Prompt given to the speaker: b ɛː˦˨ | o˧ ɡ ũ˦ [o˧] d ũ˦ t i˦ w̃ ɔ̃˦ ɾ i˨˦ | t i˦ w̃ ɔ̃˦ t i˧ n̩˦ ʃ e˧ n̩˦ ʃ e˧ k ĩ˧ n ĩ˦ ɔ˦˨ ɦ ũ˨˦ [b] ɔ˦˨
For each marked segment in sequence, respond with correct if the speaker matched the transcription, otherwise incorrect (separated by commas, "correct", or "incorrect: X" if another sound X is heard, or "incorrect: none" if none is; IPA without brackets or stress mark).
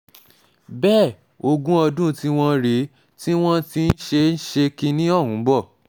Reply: incorrect: ɔ˧, correct